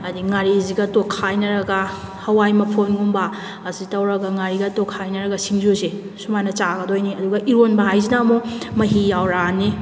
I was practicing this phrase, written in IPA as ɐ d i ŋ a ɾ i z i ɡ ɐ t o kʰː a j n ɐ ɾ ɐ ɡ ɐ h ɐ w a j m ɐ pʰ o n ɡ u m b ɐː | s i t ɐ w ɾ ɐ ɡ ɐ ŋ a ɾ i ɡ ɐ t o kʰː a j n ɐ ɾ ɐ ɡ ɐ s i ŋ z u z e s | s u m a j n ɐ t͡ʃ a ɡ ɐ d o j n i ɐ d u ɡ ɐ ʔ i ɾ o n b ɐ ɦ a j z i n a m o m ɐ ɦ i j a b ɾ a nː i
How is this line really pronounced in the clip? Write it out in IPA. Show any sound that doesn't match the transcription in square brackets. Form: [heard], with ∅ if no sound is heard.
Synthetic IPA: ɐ d i ŋ a ɾ i z i ɡ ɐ t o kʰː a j n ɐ ɾ ɐ ɡ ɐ h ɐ w a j m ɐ pʰ o n ɡ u m b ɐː | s i t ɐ w ɾ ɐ ɡ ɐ ŋ a ɾ i ɡ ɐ t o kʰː a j n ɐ ɾ ɐ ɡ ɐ s i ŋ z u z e [∅] | s u m a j n ɐ t͡ʃ a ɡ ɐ d o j n i ɐ d u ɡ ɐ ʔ i ɾ o n b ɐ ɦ a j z i n a m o m ɐ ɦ i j a [w] ɾ a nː i